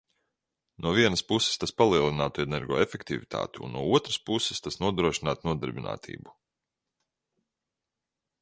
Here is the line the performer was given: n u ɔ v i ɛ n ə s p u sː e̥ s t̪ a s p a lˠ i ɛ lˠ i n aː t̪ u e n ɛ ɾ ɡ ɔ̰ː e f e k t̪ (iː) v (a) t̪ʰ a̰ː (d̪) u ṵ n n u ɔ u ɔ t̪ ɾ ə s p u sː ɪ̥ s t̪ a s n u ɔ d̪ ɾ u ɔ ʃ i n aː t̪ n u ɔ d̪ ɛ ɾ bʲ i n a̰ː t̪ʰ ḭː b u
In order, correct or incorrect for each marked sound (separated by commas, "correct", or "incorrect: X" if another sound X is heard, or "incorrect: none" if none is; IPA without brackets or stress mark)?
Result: incorrect: i, incorrect: i, incorrect: t̪